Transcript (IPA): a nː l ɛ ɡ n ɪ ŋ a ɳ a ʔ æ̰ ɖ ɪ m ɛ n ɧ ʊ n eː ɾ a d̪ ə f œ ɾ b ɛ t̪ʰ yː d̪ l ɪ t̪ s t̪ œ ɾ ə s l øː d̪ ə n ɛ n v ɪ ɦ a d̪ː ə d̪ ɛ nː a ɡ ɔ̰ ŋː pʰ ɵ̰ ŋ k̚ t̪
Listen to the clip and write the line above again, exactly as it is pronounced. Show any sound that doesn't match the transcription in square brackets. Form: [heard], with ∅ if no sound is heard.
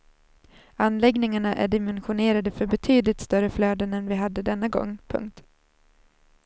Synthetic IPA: a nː l ɛ ɡ n ɪ ŋ a ɳ a ʔ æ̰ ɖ ɪ m ɛ n ɧ ʊ n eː ɾ a d̪ ə f œ ɾ b ɛ t̪ʰ yː d̪ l ɪ t̪ s t̪ œ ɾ ə [f] l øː d̪ ə n ɛ n v ɪ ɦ a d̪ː ə d̪ ɛ nː a ɡ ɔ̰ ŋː pʰ ɵ̰ ŋ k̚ t̪